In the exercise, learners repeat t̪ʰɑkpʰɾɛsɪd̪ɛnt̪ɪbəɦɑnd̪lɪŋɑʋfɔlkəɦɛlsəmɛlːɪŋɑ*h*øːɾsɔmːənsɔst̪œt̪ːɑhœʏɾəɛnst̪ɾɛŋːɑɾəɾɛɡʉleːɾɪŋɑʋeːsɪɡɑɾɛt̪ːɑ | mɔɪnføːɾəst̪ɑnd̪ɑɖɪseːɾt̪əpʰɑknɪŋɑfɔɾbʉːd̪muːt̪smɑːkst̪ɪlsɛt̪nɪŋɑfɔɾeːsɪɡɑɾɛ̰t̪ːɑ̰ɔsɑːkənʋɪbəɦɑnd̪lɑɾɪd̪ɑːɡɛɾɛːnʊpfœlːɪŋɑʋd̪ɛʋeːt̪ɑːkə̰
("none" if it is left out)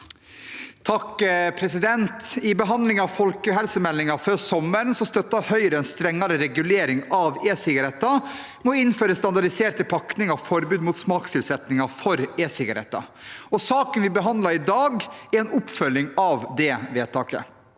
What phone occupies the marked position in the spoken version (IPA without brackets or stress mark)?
f